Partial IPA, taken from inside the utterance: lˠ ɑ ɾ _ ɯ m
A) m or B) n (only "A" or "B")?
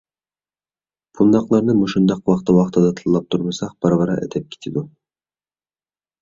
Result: B